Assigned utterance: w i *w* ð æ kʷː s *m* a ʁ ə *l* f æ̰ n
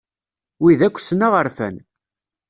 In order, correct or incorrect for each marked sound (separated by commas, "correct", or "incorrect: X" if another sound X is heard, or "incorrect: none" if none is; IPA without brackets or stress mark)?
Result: incorrect: none, incorrect: n, incorrect: ɾ